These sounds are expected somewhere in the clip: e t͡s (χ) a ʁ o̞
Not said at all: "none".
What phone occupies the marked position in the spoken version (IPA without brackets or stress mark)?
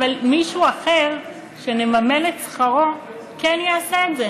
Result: χ